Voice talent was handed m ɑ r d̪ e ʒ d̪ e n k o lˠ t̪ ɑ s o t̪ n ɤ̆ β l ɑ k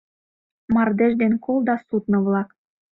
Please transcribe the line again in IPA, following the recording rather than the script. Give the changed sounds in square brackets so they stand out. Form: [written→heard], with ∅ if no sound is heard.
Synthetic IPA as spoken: m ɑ r d̪ e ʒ d̪ e n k o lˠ [t̪→d̪] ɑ s [o→u] t̪ n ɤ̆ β l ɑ k

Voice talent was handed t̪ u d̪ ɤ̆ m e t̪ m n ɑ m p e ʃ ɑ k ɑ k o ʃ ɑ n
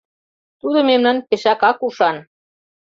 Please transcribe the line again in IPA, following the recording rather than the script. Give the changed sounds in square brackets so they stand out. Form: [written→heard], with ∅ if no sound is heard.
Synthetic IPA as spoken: t̪ u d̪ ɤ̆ m e [t̪→∅] m n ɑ [m→n] p e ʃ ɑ k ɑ k [o→u] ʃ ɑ n

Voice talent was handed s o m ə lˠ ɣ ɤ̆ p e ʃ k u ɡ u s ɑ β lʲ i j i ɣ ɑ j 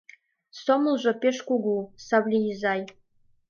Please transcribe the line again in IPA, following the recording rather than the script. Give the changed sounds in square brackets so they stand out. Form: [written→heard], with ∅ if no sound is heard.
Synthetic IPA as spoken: s o m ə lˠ [ɣ→ʒ] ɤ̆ p e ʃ k u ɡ u s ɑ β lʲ i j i [ɣ→z] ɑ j

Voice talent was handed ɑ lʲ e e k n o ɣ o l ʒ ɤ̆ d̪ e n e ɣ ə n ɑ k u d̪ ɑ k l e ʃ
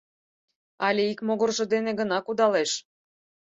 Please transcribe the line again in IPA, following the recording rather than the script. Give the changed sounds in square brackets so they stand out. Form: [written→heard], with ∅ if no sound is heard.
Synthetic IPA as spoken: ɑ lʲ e [e→i] k [n→m] o ɣ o [l→r] ʒ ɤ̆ d̪ e n e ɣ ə n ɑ k u d̪ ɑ [k→∅] l e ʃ

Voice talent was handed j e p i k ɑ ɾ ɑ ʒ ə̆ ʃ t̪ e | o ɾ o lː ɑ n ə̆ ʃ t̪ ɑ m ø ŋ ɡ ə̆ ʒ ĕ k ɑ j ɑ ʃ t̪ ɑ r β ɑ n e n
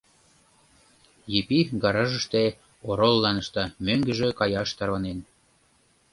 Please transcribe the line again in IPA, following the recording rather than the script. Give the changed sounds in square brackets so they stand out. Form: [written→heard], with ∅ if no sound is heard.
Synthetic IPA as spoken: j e p i [k→ɡ] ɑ ɾ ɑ ʒ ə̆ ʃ t̪ e | o ɾ o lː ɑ n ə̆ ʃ t̪ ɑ m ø ŋ ɡ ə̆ ʒ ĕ k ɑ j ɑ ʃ t̪ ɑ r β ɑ n e n

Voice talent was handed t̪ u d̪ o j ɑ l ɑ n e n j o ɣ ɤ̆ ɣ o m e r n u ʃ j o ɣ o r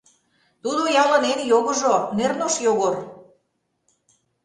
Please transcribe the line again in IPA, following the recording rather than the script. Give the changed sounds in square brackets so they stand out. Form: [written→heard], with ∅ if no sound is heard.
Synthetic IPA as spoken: t̪ u d̪ o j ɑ l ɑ n e n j o ɣ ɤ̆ [ɣ→ʒ] o [m→n] e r n [u→o] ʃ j o ɣ o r

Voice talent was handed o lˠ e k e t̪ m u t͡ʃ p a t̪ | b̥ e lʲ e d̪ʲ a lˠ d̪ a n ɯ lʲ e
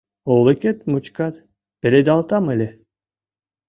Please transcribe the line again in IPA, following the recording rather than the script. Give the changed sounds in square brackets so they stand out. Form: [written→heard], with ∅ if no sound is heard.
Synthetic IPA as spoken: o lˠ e k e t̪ m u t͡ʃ [p→k] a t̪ | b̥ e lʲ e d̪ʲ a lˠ [d̪→t̪] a [n→m] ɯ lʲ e

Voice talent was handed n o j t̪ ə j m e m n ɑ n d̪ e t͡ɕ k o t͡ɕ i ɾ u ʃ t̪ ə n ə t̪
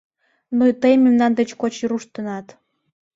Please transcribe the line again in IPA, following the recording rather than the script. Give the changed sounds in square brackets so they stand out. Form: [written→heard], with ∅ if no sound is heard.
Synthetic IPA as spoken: n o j t̪ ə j m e m n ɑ n d̪ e t͡ɕ k o t͡ɕ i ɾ u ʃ t̪ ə n [ə→ɑ] t̪

